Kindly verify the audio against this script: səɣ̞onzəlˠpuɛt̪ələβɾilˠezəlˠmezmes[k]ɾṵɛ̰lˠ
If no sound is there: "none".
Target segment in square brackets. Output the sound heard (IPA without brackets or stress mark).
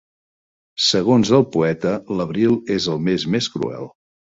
k